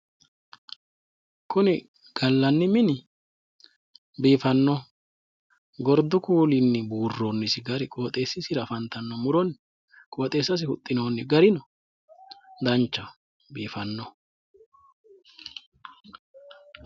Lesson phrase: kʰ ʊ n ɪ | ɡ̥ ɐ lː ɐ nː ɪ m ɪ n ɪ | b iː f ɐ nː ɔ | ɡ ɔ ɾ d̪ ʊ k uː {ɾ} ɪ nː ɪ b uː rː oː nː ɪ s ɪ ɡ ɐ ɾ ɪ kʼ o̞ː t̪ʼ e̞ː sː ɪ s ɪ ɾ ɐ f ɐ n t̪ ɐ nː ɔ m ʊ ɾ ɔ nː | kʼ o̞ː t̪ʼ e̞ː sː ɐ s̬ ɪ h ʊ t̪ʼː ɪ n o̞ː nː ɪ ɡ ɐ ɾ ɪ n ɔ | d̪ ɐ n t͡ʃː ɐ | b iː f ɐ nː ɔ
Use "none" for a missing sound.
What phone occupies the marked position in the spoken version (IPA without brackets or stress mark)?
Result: l